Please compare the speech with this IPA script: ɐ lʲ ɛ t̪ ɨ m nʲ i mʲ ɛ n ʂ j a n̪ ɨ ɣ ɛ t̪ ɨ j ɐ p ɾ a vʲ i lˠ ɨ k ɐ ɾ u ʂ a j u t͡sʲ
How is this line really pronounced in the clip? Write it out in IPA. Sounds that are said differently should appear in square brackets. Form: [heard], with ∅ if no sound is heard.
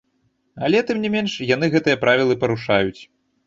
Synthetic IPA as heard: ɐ lʲ ɛ t̪ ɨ m nʲ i mʲ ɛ n ʂ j a n̪ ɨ ɣ ɛ t̪ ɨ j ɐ p ɾ a vʲ i lˠ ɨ [p] ɐ ɾ u ʂ a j u t͡sʲ